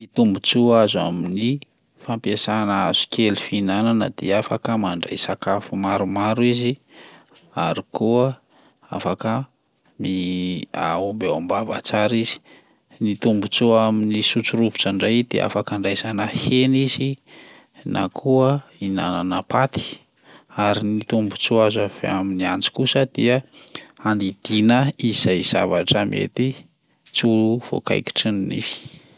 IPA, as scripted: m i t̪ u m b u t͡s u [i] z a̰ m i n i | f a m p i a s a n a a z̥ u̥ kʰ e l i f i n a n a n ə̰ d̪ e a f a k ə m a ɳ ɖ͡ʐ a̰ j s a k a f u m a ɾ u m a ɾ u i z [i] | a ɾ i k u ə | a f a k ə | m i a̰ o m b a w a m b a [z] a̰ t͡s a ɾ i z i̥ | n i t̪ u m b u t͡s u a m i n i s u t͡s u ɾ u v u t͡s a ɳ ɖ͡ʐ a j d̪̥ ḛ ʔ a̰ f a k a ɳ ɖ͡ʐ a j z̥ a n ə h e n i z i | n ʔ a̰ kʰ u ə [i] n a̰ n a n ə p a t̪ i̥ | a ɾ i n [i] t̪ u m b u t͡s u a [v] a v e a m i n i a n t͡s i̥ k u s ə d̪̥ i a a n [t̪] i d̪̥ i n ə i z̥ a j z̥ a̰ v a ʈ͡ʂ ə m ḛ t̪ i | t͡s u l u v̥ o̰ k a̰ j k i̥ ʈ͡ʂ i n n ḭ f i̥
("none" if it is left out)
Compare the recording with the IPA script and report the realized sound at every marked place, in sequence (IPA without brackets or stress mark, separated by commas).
a, i, v, i, i, z, d̪